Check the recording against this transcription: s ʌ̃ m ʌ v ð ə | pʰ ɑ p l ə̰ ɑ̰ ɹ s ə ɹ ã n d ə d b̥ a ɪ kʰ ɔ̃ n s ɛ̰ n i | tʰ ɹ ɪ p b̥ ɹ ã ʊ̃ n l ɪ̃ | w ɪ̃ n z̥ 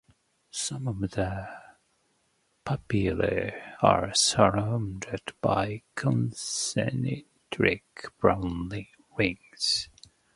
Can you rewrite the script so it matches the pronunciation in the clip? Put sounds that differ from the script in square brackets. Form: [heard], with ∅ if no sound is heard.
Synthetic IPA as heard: s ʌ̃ m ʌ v ð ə | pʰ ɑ p l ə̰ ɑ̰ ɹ s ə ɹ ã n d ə d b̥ a ɪ kʰ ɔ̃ n s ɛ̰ n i | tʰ ɹ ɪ [k] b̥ ɹ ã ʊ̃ n l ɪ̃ | w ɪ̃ [ŋ] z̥

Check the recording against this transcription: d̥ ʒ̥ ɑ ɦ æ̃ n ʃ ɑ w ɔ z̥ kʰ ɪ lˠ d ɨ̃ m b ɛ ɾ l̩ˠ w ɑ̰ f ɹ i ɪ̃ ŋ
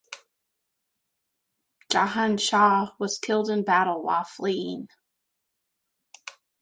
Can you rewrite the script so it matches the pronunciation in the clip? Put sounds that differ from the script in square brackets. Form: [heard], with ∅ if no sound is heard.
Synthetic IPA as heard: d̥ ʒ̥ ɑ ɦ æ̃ n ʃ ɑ w [ʌ] z̥ kʰ ɪ lˠ d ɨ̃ [n] b [æ] ɾ l̩ˠ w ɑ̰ f [l] i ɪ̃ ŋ

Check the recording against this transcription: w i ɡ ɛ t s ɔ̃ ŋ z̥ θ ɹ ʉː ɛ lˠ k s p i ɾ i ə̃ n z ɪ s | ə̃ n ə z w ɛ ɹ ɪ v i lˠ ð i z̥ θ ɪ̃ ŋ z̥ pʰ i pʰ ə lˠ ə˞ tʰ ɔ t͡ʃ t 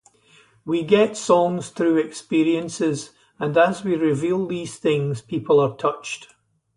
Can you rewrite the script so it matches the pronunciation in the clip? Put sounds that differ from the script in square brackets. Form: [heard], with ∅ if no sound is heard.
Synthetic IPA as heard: w i ɡ ɛ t s ɔ̃ ŋ z̥ θ ɹ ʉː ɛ [∅] k s p i [ɹ] i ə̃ n [s] ɪ [z] | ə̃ n ə z w [i] ɹ ɪ v i lˠ ð i z̥ θ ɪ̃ ŋ z̥ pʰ i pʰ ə lˠ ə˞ tʰ [ʌ] t͡ʃ t

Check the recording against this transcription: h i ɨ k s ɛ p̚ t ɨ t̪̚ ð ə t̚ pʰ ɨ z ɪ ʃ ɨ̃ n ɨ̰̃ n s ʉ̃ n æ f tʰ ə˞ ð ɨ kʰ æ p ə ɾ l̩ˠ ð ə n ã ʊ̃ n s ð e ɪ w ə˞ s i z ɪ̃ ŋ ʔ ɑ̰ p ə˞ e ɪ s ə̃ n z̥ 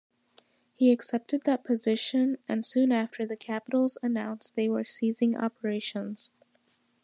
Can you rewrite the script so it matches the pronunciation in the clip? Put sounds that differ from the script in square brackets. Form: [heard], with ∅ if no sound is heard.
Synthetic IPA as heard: h i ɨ k s ɛ p̚ t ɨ [d̪̚] ð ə t̚ pʰ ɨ z ɪ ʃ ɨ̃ n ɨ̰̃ n s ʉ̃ n æ f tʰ ə˞ ð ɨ kʰ æ p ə ɾ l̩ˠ [z] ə n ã ʊ̃ n s ð e ɪ w ə˞ s i z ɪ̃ ŋ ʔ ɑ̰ p ə˞ e ɪ [ʃ] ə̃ n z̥

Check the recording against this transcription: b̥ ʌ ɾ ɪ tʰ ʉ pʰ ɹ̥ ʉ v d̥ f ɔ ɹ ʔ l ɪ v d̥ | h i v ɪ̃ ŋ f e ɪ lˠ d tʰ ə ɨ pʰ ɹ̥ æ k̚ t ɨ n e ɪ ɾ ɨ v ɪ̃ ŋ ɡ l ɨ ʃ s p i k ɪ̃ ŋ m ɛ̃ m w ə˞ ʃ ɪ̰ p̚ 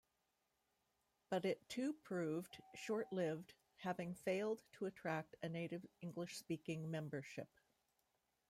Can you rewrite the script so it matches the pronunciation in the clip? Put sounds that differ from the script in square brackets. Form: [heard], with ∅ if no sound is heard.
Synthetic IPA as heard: b̥ ʌ ɾ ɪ tʰ ʉ pʰ ɹ̥ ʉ v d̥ [ʃ] ɔ ɹ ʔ l ɪ v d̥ | h [æ] v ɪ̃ ŋ f e ɪ lˠ d tʰ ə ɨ [tʰ] ɹ̥ æ k̚ t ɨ n e ɪ ɾ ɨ v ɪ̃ ŋ ɡ l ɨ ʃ s p i k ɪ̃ ŋ m ɛ̃ m [b] ə˞ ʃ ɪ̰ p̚

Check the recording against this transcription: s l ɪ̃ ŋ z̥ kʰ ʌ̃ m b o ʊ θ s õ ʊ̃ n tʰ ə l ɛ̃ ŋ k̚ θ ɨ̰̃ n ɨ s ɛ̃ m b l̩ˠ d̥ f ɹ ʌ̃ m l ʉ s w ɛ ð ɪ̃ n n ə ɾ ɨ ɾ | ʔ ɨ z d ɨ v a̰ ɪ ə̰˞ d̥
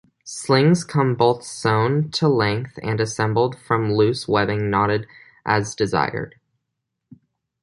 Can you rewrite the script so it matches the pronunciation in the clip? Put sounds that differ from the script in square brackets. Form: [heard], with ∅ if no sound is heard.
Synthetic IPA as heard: s l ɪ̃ ŋ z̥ kʰ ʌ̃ m b o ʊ θ s õ ʊ̃ n tʰ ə l ɛ̃ ŋ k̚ θ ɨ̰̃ n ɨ s ɛ̃ m b l̩ˠ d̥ f ɹ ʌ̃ m l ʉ s w ɛ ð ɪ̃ [ŋ] n [ɑ] ɾ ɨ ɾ | ʔ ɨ z d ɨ [z] a̰ ɪ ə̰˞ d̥

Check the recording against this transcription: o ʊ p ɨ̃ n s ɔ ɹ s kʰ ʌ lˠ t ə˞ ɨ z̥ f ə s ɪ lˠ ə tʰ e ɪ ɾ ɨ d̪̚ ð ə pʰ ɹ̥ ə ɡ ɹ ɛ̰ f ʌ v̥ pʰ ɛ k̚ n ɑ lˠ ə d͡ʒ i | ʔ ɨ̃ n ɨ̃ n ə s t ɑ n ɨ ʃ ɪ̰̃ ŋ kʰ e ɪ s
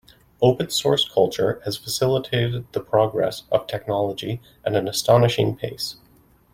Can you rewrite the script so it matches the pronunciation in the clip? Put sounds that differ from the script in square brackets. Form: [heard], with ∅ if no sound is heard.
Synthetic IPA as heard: o ʊ p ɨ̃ n s ɔ ɹ s kʰ ʌ lˠ [t͡ʃ] ə˞ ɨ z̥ f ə s ɪ lˠ ə tʰ e ɪ ɾ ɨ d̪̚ ð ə pʰ ɹ̥ [ɑ] ɡ ɹ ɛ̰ [s] ʌ v̥ [tʰ] ɛ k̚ n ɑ lˠ ə d͡ʒ i | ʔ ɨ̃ n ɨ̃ n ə s t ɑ n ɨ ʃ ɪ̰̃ ŋ [pʰ] e ɪ s

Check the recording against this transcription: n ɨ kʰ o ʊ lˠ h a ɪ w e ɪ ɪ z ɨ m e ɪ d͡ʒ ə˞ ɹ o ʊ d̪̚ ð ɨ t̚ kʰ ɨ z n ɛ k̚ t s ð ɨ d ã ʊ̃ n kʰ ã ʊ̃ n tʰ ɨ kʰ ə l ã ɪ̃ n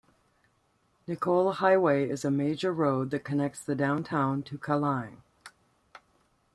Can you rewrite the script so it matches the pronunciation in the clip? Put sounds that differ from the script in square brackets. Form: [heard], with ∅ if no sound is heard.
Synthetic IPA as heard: n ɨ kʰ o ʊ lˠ h a ɪ w e ɪ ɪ z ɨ m e ɪ d͡ʒ ə˞ ɹ o ʊ d̪̚ ð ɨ t̚ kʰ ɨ [∅] n ɛ k̚ t s ð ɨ d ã ʊ̃ n [tʰ] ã ʊ̃ n tʰ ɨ kʰ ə l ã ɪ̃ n

